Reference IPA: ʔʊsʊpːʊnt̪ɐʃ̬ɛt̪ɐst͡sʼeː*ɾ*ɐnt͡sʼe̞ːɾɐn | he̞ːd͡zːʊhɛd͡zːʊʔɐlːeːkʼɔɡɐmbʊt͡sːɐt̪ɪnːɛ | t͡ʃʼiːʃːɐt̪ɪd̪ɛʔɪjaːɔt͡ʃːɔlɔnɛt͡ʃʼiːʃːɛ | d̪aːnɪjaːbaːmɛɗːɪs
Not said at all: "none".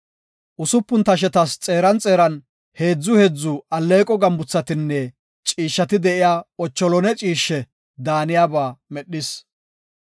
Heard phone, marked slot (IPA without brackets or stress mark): ɾ